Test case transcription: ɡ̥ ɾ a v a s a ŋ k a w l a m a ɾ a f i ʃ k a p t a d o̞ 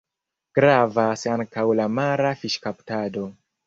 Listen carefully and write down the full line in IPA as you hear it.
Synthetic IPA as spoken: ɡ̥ ɾ a v a s a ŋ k a w l a m a ɾ a f i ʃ k a p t a d o̞